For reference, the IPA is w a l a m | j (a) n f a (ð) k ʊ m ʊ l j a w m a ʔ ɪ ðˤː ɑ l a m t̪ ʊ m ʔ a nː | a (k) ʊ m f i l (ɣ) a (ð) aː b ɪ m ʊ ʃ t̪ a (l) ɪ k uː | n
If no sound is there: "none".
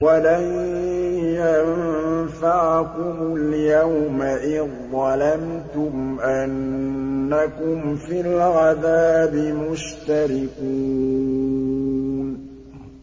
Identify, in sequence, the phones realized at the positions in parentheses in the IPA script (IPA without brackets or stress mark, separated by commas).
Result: a, ʕ, k, ɣ, ð, ɾ